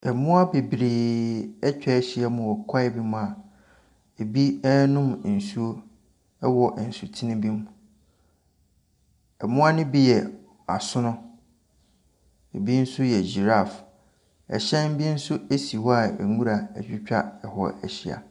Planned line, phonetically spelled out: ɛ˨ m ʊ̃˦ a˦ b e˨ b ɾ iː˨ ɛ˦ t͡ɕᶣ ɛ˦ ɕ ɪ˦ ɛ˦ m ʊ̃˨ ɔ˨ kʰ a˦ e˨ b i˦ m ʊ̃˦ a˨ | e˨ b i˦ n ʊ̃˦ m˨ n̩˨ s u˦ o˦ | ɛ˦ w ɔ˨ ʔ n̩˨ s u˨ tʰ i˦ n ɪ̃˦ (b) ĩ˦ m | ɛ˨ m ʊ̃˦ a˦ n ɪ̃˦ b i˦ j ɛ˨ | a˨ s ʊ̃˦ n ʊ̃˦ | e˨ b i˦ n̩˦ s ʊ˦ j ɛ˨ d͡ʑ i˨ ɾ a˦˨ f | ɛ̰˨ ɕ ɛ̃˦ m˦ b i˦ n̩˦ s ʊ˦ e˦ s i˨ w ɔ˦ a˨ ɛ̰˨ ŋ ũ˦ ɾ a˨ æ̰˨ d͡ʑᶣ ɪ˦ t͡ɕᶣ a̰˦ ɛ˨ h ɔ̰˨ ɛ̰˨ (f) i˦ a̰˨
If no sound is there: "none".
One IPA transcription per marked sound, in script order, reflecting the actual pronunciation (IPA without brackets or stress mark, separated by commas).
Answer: b, ɕ